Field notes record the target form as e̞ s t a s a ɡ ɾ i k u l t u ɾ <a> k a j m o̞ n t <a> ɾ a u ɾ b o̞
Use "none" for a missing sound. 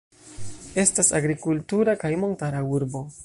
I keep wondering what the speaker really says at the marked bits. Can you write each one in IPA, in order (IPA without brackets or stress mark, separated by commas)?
a, a